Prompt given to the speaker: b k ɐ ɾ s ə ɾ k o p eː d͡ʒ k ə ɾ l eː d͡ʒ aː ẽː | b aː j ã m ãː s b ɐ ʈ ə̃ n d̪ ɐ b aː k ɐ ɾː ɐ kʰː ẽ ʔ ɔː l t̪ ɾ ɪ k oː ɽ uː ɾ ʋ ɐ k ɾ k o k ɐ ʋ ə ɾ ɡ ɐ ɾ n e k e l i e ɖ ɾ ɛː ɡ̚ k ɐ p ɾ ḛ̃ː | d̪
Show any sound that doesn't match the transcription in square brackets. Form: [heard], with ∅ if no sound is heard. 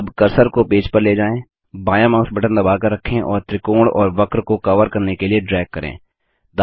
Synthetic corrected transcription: b k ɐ ɾ s ə ɾ k o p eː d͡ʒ [p] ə ɾ l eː d͡ʒ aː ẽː | b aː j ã m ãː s b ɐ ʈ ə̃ n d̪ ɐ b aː k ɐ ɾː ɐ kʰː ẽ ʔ ɔː [ɾ] t̪ ɾ ɪ k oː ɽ [ɔː] ɾ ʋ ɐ k ɾ k o k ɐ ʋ ə ɾ [k] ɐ ɾ n e k e l i e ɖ ɾ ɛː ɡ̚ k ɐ [∅] ɾ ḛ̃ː | d̪